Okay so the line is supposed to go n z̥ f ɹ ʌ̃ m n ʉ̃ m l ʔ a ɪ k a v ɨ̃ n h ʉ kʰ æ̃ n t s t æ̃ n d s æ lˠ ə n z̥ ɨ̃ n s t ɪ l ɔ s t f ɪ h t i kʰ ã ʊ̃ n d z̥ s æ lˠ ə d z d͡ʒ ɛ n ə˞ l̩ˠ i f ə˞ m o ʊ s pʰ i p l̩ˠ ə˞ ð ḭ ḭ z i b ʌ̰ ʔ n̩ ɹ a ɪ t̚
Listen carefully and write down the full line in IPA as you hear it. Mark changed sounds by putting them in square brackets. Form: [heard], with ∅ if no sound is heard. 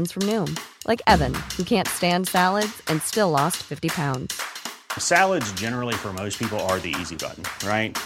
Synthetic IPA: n z̥ f ɹ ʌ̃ m n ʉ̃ m l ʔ a ɪ k [ɛ] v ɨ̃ n h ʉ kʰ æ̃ n t s t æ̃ n d s æ lˠ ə [d] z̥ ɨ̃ n s t ɪ l ɔ s t f ɪ [f] t i [pʰ] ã ʊ̃ n d z̥ s æ lˠ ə d z d͡ʒ ɛ n ə˞ l̩ˠ i f ə˞ m o ʊ s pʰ i p l̩ˠ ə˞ ð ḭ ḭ z i b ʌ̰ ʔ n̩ ɹ a ɪ t̚